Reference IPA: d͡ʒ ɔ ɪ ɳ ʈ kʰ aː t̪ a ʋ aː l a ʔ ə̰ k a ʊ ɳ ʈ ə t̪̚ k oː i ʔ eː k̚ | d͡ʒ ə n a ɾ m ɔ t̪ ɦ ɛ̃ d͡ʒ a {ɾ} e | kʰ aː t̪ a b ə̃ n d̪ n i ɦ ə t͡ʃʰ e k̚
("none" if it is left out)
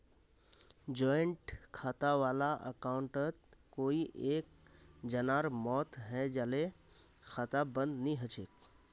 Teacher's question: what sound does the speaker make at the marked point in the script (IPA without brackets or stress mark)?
l